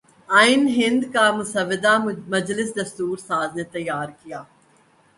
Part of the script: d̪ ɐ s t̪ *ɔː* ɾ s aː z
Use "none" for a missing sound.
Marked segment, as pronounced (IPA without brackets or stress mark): uː